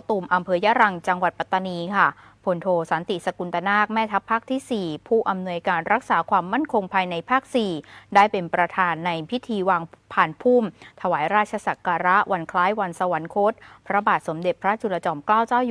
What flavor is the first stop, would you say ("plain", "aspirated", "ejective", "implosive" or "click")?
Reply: plain